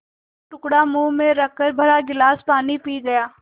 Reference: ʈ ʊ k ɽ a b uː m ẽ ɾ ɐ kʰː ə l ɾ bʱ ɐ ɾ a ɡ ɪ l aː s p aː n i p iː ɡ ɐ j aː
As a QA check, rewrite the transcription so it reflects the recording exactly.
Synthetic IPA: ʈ ʊ k ɽ a m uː m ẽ ɾ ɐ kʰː ə ɾ bʱ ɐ ɾ a ɡ ɪ l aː s p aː n i p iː ɡ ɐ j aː